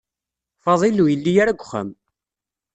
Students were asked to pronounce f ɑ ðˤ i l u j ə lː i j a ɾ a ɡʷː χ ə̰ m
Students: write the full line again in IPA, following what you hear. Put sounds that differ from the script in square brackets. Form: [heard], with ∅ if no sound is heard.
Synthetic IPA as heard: f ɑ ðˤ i l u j ə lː i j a ɾ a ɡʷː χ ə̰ m